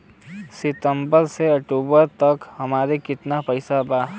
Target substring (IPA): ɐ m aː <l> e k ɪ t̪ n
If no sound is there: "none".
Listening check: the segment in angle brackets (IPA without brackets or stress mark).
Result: ɾ